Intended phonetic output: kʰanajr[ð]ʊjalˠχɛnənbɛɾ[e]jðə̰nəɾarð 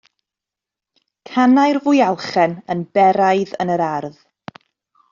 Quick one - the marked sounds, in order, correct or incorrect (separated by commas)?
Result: incorrect, incorrect